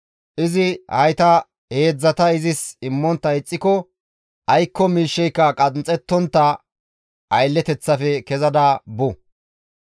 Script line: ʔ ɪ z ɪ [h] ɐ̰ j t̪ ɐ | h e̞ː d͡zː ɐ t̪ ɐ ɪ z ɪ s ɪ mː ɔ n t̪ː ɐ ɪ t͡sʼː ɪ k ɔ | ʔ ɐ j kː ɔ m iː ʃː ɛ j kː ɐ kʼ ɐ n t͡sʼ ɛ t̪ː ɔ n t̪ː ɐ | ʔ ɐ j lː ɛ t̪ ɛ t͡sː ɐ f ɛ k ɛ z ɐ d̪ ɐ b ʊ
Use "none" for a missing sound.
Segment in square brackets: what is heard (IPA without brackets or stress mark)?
h